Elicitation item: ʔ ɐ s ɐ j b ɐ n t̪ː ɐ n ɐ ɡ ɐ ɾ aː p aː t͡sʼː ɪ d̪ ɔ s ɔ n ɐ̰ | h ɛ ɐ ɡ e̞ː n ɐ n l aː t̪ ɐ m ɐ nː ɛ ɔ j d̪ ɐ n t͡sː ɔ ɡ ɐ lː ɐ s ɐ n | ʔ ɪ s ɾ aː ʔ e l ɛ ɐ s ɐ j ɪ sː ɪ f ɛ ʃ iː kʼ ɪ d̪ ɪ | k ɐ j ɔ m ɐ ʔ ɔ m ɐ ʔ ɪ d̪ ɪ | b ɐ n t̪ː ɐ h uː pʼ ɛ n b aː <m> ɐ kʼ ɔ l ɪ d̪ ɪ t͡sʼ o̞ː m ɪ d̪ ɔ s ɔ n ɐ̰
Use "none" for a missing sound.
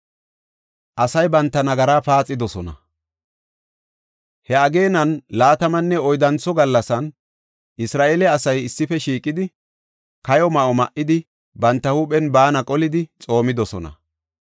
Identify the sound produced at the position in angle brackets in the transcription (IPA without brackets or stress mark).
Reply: n